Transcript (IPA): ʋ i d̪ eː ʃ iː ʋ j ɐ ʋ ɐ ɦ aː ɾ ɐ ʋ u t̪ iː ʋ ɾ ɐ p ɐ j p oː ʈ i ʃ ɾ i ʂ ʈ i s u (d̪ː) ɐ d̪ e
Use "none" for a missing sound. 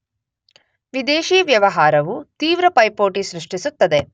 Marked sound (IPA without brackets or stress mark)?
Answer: t̪ː